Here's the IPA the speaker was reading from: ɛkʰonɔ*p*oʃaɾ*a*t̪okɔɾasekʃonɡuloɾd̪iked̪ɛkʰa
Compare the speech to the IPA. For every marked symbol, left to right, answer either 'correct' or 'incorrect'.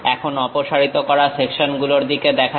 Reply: correct, incorrect: i

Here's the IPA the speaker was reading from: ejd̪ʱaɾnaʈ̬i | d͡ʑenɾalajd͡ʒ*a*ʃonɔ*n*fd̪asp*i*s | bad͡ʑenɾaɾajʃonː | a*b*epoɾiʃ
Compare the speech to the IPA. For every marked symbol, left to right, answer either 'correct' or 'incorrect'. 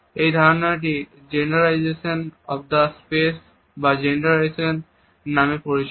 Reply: incorrect: e, incorrect: none, incorrect: e, incorrect: m

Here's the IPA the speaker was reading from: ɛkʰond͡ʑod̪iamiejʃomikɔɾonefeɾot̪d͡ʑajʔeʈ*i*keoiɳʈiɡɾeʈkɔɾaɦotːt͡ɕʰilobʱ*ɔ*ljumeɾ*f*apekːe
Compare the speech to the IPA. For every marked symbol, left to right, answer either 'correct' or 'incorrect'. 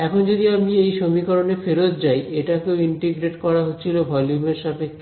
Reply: incorrect: a, correct, incorrect: ʃ

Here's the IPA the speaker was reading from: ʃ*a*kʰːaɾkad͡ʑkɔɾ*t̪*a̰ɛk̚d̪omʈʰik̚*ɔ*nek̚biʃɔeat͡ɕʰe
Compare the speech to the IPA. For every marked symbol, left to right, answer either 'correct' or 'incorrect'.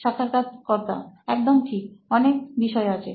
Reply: correct, correct, correct

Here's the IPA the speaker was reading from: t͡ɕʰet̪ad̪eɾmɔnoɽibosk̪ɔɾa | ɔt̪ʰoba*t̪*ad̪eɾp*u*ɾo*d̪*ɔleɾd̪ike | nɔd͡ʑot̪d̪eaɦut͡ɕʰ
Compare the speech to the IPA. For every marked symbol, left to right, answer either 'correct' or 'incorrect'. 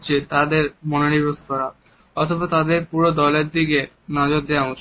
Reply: correct, correct, correct

